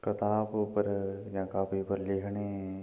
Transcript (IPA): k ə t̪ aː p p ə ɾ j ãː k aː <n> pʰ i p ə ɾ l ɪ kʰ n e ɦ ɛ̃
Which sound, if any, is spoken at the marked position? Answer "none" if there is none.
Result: none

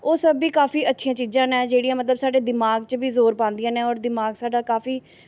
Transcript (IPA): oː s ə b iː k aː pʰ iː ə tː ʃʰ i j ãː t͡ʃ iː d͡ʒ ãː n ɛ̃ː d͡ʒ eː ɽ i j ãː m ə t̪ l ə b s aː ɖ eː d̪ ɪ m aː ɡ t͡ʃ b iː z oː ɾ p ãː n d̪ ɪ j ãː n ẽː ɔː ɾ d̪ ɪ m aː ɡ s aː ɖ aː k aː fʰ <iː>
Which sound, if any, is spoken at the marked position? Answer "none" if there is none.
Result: iː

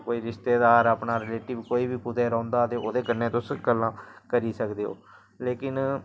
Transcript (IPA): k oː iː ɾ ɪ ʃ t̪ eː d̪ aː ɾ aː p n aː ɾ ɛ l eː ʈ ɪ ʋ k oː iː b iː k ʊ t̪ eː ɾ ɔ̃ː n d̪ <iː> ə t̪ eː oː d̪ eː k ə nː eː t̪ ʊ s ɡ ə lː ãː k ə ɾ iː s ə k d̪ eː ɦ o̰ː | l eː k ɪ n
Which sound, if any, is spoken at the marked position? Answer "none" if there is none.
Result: aː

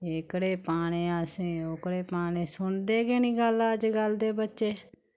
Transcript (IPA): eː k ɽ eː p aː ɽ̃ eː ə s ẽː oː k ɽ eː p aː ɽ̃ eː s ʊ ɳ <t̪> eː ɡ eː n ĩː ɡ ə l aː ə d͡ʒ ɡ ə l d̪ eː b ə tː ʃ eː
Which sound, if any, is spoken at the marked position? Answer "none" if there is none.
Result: d̪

